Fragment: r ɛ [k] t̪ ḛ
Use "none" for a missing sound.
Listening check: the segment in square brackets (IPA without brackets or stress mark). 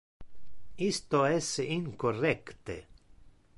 k